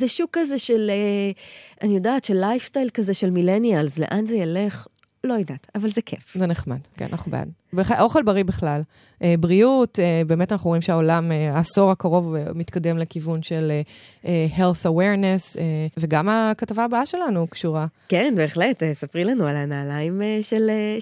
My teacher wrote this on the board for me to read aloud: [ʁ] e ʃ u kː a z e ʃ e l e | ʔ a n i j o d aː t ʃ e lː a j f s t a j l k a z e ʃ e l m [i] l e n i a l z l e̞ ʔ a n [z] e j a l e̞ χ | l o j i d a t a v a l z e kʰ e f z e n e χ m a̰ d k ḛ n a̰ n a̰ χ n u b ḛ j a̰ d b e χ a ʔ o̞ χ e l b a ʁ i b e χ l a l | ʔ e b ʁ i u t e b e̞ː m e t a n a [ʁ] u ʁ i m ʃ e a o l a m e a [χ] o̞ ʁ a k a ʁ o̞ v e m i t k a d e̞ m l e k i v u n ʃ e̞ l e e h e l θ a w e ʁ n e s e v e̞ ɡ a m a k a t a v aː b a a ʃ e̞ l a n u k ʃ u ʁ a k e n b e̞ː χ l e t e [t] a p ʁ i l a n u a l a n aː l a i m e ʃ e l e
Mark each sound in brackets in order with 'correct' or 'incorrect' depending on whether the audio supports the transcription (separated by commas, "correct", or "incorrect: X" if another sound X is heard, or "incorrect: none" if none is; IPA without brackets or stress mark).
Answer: incorrect: z, correct, correct, incorrect: χ, incorrect: s, incorrect: s